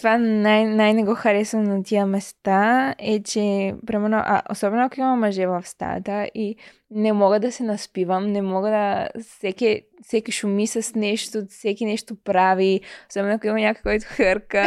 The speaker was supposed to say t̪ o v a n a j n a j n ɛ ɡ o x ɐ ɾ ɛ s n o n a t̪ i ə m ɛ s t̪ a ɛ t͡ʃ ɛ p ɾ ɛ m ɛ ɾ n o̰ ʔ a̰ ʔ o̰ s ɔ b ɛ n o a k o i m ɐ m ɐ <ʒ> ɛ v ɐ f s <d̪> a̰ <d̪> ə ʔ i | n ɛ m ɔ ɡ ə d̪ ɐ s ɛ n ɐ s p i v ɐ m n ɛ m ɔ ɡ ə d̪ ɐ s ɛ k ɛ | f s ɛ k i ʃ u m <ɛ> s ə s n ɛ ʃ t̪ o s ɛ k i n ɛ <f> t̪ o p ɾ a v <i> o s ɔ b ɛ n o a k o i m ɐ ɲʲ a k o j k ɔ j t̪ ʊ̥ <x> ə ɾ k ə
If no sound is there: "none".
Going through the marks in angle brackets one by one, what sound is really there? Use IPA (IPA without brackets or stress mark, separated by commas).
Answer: ʒ, t̪, t̪, i, ʃ, i, x